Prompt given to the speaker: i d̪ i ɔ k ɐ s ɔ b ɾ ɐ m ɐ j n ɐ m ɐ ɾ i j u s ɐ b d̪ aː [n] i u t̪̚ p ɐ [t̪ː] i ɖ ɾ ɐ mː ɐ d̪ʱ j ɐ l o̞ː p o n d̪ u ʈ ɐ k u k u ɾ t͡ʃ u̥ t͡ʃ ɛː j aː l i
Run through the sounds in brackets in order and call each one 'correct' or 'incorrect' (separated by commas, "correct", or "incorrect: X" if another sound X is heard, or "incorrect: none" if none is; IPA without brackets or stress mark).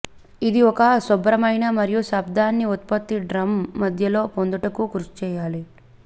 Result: incorrect: nː, correct